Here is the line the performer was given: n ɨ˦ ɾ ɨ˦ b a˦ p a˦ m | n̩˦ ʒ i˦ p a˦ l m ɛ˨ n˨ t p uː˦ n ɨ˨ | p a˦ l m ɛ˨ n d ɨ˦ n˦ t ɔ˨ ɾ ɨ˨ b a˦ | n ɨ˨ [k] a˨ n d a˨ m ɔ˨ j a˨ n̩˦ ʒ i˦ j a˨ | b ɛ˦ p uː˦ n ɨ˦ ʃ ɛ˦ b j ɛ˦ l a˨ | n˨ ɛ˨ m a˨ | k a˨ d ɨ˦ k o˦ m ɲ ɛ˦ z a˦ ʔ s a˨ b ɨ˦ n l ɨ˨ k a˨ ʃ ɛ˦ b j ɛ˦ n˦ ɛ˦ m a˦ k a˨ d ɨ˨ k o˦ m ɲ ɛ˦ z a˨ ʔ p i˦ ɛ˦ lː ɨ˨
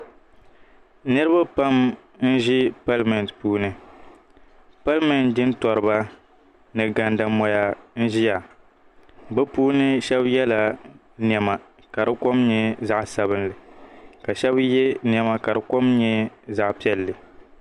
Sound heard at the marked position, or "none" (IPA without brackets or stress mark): ɡ